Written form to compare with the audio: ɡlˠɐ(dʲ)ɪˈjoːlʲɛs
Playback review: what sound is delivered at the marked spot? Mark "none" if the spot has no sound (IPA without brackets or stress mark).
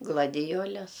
dʲ